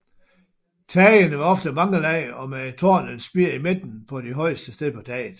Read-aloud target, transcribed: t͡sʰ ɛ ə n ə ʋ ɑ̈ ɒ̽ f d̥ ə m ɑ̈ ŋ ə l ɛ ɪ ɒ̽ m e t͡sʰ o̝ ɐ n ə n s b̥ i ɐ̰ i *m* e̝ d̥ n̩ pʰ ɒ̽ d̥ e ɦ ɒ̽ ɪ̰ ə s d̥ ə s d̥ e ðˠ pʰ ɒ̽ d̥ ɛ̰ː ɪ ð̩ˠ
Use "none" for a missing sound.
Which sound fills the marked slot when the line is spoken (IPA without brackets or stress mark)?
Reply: m